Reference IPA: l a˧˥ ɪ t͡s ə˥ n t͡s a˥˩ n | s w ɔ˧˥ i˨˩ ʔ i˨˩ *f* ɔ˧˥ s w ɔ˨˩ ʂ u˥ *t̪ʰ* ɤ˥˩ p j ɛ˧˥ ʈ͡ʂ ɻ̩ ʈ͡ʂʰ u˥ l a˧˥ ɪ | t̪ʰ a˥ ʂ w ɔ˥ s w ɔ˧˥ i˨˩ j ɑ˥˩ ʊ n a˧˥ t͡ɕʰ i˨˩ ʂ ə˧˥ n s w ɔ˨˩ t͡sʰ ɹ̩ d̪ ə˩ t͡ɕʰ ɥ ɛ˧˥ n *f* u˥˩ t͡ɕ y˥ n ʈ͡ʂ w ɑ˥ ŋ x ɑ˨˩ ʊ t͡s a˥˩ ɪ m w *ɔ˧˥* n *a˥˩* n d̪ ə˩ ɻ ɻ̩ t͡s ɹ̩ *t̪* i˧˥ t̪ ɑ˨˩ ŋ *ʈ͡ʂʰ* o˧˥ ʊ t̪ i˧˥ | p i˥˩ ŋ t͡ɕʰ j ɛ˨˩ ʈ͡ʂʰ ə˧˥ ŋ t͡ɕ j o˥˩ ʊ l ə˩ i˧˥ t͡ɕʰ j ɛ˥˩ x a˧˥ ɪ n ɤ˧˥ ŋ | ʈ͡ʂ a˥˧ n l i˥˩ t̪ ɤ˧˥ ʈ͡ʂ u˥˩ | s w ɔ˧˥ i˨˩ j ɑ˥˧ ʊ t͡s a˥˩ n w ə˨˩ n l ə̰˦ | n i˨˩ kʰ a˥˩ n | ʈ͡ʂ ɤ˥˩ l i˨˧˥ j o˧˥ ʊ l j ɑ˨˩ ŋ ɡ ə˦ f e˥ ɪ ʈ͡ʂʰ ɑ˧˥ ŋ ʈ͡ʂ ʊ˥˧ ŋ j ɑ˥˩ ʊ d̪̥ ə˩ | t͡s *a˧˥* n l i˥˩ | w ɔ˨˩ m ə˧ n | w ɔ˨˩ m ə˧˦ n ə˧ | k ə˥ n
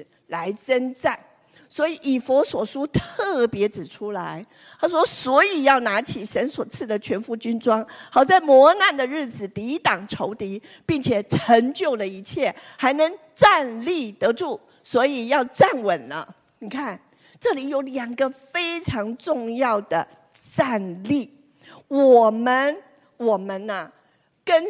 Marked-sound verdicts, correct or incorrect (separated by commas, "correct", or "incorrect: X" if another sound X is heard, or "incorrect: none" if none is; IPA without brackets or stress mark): correct, correct, correct, correct, correct, correct, correct, incorrect: a˥˧